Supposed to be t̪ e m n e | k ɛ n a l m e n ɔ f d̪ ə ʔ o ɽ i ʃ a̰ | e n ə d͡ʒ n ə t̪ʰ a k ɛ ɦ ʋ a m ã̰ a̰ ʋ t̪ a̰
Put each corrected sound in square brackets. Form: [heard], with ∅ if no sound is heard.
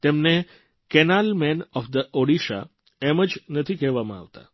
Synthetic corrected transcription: t̪ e m n e | k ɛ n a l m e n ɔ f d̪ ə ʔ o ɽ i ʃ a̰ | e [m] ə d͡ʒ n ə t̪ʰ [i] k ɛ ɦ ʋ a m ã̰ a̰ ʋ t̪ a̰